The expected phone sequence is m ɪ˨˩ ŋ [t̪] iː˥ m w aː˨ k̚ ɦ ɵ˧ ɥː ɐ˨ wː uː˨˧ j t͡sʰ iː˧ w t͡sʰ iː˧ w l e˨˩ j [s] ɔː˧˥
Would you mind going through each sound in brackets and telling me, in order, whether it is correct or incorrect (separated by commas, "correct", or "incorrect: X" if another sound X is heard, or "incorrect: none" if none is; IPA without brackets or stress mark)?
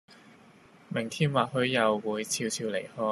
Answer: incorrect: t̪ʰ, incorrect: h